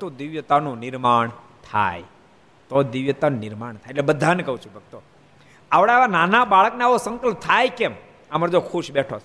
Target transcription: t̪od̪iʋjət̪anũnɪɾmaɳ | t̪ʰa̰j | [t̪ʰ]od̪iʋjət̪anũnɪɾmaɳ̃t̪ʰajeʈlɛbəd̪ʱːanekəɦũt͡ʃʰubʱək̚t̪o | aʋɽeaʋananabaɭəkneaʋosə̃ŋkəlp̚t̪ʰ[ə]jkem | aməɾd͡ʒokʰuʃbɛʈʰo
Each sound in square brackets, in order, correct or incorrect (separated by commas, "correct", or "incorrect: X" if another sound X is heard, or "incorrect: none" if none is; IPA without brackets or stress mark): incorrect: t̪, incorrect: a